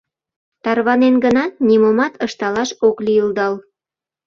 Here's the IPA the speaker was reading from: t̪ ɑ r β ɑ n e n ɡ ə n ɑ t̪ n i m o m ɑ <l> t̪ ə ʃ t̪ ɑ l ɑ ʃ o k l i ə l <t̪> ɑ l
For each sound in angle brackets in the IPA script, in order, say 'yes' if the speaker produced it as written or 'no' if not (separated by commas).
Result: no, no